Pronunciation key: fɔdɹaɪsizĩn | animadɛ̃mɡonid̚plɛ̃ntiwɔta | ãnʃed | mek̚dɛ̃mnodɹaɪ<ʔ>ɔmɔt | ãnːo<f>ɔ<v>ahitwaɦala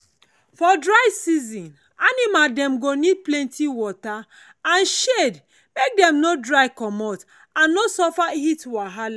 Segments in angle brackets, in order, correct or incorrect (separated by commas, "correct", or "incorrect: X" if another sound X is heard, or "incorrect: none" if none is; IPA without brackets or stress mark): incorrect: k, incorrect: s, incorrect: f